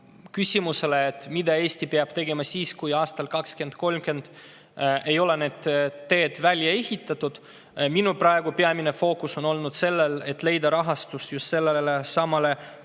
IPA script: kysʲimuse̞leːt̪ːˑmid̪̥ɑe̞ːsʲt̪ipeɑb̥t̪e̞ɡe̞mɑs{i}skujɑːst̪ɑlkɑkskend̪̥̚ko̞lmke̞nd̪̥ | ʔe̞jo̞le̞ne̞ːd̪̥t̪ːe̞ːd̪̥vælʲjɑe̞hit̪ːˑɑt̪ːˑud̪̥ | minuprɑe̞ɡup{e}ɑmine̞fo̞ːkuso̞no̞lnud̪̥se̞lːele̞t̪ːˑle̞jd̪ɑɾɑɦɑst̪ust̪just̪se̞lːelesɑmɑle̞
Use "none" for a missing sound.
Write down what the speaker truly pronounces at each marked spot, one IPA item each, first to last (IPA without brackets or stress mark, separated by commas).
iː, e